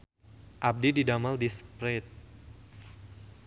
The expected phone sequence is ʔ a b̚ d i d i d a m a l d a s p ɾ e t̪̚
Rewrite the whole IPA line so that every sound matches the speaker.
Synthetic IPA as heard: ʔ a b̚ d i d i d a m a l d i s p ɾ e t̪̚

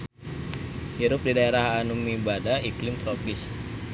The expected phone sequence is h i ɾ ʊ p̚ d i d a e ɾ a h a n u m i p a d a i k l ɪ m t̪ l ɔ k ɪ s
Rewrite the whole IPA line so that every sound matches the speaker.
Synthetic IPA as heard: h i ɾ ʊ p̚ d i d a e ɾ a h a n u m i b a d a i k l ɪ m t̪ ɾ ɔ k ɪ s

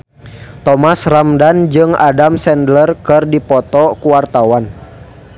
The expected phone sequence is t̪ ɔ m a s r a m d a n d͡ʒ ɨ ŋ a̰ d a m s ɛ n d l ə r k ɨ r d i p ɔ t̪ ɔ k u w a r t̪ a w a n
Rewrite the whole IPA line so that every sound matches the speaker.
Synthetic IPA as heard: t̪ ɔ m a s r a m d a n d͡ʒ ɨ ŋ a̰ d a m s ɛ n d l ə r k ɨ r d i p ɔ t̪ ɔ k u w a r t̪ a w a n

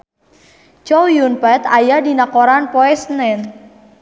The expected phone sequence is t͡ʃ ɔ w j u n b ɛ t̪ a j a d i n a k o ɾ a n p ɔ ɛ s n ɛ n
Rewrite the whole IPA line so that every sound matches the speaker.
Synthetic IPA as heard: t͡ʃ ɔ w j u n p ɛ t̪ a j a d i n a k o ɾ a n p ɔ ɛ s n ɛ n

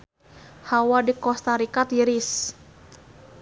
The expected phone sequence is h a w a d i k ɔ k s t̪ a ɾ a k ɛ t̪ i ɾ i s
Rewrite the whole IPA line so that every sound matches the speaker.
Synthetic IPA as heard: h a w a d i k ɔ s t̪ a ɾ i k a t̪ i ɾ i s

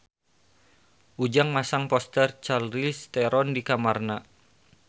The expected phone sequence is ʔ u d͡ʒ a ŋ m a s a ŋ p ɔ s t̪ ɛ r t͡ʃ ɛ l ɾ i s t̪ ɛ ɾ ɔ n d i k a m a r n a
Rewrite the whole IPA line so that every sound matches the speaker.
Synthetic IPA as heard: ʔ u d͡ʒ a ŋ m a s a ŋ p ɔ s t̪ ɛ r t͡ʃ a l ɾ i s t̪ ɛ ɾ ɔ n d i k a m a r n a

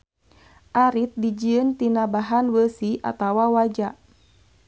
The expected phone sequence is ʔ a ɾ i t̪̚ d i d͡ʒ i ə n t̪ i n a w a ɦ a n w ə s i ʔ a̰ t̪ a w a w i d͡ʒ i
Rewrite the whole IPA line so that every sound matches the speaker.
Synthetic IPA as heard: ʔ a ɾ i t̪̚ d i d͡ʒ i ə n t̪ i n a b a ɦ a n w ə s i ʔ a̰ t̪ a w a w a d͡ʒ a

